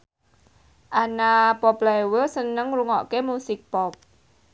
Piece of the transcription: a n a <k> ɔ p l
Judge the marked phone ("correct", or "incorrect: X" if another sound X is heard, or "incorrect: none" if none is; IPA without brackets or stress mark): incorrect: p